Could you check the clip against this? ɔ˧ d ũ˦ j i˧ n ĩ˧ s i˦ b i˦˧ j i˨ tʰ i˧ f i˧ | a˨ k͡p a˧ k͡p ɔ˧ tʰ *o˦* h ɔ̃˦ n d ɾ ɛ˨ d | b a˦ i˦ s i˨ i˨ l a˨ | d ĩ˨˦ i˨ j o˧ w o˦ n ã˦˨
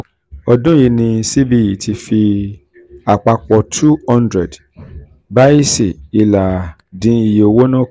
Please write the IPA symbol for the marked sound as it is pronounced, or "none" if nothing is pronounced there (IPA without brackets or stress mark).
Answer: u˦